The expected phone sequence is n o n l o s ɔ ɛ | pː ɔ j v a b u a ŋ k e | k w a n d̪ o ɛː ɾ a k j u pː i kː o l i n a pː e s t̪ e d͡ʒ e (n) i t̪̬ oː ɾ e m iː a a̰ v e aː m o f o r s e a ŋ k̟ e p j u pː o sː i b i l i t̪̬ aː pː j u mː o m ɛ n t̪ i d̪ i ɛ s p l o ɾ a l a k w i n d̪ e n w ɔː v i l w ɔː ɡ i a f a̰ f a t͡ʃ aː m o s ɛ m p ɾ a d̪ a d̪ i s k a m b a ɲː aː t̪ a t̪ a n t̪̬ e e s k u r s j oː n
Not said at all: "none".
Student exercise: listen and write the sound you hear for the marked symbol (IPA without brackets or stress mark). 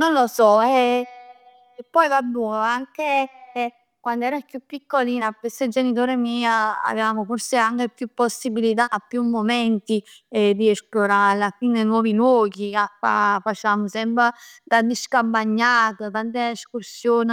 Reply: n